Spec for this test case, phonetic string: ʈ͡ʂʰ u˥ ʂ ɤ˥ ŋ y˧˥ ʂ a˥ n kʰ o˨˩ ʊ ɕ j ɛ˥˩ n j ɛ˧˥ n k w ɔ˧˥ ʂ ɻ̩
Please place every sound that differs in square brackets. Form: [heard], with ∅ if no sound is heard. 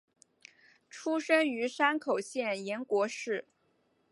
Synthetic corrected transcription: ʈ͡ʂʰ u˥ ʂ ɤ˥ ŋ y˧˥ ʂ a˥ n kʰ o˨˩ ʊ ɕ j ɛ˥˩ n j ɛ˧˥ n k w ɔ˧˥ ʂ ɻ̩